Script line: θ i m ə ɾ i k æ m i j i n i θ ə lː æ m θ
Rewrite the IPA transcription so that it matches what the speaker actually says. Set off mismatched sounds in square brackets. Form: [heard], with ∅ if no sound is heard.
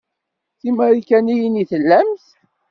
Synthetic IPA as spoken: θ i m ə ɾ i k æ [n] i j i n i θ ə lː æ m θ